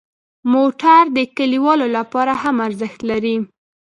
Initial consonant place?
labial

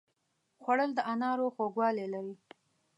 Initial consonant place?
velar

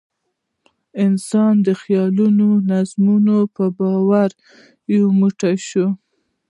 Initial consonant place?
alveolar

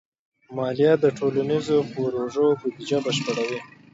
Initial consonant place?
labial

